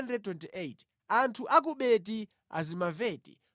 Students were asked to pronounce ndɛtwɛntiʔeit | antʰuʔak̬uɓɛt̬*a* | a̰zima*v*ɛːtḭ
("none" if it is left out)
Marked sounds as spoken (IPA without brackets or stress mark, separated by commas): i, v